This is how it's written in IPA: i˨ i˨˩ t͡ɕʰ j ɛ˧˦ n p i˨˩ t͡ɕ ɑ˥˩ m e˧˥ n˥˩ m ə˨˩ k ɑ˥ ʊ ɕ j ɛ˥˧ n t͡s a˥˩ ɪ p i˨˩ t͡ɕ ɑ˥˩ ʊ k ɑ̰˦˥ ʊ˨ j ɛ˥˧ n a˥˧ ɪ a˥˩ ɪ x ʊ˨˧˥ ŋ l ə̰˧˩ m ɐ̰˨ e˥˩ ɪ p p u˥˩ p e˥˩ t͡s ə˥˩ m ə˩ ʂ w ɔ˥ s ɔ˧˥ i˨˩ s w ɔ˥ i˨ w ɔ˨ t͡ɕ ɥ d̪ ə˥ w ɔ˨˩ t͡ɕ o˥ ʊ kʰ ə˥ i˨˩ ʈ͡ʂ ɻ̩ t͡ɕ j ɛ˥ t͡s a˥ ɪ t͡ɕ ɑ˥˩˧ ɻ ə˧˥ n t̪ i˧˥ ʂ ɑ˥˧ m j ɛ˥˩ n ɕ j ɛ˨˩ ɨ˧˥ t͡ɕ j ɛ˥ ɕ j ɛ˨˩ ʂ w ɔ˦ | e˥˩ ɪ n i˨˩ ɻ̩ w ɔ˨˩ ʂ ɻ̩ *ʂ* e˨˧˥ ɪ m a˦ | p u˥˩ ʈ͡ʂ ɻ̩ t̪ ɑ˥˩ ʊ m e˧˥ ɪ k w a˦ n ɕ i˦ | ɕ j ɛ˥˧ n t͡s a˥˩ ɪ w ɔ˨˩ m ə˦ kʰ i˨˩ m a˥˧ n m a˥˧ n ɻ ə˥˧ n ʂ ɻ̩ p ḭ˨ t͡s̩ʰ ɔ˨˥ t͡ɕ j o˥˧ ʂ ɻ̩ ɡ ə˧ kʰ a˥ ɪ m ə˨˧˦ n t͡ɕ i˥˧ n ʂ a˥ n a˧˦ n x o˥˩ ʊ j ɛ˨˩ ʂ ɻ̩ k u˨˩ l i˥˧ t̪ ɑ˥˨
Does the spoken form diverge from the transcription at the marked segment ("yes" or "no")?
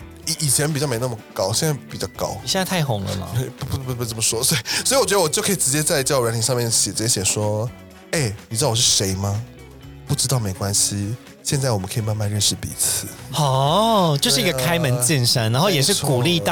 no